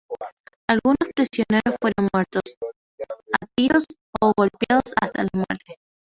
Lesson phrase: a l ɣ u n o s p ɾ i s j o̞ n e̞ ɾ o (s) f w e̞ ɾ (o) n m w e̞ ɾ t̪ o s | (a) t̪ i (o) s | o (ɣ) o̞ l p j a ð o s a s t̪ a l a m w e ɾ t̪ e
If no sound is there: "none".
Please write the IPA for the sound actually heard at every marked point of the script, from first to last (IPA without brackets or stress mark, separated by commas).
s, o, a, o, ɣ